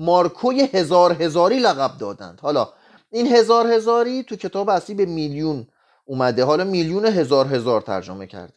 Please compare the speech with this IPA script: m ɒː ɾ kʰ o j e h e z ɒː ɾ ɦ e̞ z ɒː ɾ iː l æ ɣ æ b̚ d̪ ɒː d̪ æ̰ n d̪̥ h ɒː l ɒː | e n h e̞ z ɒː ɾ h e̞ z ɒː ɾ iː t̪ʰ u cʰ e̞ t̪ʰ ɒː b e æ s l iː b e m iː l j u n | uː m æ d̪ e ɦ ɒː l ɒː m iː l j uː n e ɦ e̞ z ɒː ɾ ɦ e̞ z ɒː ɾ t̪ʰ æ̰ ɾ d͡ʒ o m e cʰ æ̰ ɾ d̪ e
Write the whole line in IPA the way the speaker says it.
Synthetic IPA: m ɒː ɾ kʰ o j e h e z ɒː ɾ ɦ e̞ z ɒː ɾ iː l æ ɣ æ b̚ d̪ ɒː d̪ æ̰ n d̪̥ h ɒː l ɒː | i n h e̞ z ɒː ɾ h e̞ z ɒː ɾ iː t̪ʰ u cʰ e̞ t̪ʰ ɒː b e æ s l iː b e m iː l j u n | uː m æ d̪ e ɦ ɒː l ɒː m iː l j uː n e ɦ e̞ z ɒː ɾ ɦ e̞ z ɒː ɾ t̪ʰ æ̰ ɾ d͡ʒ o m e cʰ æ̰ ɾ d̪ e